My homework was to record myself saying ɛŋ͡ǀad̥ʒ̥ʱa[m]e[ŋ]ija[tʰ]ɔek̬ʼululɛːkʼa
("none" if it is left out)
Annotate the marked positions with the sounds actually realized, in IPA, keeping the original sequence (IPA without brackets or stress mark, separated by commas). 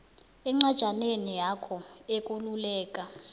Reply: n, n, kʰ